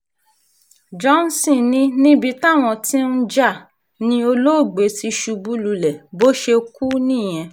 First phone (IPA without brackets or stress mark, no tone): d͡ʒ